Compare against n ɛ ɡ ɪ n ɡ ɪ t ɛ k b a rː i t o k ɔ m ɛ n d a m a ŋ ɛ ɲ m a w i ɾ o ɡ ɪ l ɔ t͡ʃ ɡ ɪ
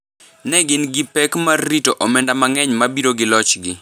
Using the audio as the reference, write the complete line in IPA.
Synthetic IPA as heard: n ɛ ɡ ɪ n ɡ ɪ p ɛ k m a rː i t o ʔ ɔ m ɛ n d a m a ŋ ɛ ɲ m a b i ɾ o ɡ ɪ l ɔ t͡ʃ ɡ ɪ